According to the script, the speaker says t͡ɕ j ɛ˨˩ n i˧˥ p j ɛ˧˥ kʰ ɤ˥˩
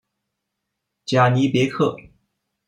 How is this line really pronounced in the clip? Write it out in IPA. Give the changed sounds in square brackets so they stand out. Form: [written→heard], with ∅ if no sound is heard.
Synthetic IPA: t͡ɕ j [ɛ˨˩→a˨˩] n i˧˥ p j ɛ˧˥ kʰ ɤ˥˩